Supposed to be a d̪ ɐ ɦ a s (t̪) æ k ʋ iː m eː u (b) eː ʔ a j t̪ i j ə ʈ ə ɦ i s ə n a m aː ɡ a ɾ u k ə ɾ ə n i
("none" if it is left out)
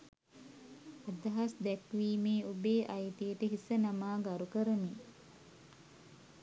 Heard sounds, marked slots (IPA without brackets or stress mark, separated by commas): d̪, b